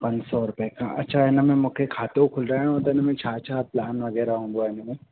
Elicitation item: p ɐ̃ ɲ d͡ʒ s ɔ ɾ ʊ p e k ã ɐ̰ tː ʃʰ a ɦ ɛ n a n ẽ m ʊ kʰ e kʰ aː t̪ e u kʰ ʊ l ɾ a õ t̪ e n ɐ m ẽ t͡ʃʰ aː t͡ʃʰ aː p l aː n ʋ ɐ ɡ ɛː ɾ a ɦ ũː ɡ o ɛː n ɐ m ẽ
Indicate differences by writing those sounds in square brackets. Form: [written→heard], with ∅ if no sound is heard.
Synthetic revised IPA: p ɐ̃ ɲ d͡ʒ s ɔ ɾ ʊ p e k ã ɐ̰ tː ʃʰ a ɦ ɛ n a [n→m] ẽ m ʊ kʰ e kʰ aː t̪ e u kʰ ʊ l ɾ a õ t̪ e n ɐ m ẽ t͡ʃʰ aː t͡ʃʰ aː p l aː n ʋ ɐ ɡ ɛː ɾ a ɦ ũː ɡ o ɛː n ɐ m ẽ